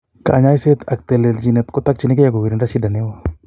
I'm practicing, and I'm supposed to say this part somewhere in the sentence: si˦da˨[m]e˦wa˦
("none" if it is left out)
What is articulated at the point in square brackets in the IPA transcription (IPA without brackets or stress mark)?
n